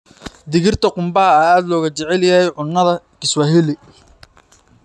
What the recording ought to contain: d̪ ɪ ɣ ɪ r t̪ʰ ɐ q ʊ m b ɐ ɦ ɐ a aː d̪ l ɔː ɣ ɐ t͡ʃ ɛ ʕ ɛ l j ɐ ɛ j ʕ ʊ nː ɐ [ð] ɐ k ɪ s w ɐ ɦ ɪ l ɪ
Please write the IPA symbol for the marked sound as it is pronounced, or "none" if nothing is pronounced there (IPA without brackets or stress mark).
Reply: ð